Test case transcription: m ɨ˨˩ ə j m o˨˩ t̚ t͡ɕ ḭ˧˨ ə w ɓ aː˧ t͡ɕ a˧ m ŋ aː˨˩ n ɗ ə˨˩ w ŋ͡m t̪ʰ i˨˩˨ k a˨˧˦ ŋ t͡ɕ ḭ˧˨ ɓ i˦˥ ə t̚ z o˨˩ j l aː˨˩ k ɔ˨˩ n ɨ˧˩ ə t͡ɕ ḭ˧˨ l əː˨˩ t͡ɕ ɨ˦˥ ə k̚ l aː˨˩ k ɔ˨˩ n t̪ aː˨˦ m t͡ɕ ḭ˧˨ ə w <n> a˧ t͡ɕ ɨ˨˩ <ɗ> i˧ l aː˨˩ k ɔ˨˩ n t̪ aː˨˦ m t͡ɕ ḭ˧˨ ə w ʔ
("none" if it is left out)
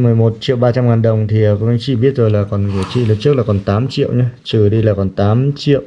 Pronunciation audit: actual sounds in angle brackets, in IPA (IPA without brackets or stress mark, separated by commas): ɲ, ɗ